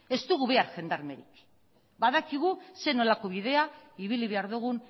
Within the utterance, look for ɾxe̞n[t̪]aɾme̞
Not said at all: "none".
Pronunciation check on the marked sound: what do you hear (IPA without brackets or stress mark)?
d̪